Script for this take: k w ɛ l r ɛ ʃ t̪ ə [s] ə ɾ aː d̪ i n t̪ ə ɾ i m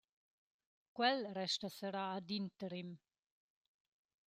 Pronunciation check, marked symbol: correct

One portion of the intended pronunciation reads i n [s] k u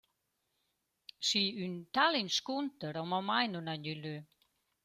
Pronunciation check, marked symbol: correct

